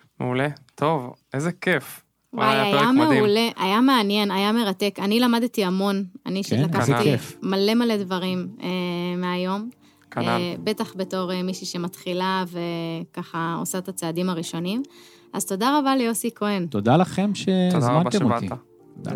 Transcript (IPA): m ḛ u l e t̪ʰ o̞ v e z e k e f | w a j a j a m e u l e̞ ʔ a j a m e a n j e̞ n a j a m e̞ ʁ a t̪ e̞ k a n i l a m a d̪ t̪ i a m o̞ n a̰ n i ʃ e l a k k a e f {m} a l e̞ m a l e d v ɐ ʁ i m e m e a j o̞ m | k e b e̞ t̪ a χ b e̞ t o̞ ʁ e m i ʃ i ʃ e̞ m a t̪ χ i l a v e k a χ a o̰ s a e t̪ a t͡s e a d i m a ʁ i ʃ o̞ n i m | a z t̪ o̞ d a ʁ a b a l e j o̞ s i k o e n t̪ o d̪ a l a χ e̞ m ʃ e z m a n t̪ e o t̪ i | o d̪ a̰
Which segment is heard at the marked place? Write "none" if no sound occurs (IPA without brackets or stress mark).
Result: m